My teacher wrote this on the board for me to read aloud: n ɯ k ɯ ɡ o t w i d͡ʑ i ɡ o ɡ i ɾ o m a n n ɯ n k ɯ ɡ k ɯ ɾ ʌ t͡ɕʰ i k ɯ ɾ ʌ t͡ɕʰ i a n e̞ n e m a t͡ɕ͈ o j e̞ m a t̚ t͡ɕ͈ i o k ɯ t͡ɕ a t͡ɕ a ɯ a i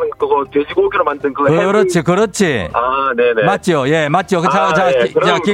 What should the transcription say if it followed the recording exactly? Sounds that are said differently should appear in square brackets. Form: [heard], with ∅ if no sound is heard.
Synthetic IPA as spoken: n ɯ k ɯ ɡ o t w [e] d͡ʑ i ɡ o ɡ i ɾ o m a n [d] ɯ n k ɯ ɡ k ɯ ɾ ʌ t͡ɕʰ i k ɯ ɾ ʌ t͡ɕʰ i a n e̞ n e m a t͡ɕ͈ o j e̞ m a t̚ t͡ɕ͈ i o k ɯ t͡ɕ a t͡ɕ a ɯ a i